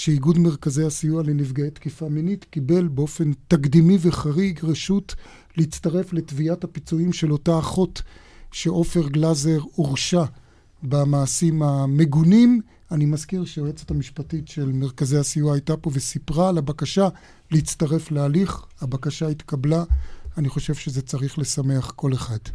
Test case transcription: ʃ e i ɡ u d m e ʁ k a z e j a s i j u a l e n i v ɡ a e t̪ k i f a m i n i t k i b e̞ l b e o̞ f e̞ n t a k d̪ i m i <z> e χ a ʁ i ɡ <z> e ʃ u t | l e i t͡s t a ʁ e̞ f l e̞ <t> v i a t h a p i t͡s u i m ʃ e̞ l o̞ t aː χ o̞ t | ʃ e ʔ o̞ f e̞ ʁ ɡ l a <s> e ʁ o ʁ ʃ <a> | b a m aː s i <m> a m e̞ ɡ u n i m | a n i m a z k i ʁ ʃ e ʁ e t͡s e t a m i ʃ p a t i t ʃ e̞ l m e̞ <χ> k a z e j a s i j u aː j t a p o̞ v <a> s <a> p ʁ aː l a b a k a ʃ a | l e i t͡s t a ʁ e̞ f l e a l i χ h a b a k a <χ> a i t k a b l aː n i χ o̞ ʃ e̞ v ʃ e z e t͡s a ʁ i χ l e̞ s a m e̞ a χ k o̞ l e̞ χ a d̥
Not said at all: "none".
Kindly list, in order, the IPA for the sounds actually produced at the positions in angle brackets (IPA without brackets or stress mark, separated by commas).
v, ʁ, t, z, a, m, ʁ, e, i, ʃ